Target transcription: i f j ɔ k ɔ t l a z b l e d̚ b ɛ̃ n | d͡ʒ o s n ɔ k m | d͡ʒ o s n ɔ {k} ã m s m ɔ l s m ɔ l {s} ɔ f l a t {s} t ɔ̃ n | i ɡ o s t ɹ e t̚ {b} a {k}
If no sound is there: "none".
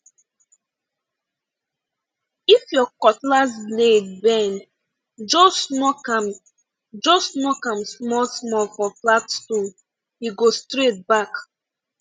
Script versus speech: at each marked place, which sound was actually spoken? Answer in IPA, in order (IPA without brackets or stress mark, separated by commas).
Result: k, f, s, b, k